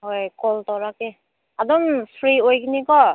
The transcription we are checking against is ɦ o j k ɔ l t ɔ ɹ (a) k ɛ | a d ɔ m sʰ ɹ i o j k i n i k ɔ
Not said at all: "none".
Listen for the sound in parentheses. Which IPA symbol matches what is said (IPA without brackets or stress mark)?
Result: a